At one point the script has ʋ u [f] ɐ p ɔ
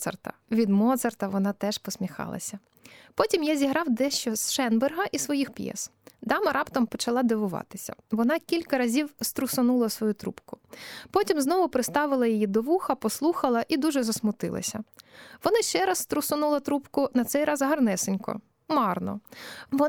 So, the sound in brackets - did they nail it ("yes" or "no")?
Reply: no